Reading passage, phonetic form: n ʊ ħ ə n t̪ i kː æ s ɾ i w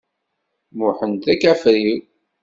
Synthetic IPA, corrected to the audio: m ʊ ħ ə n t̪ æ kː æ f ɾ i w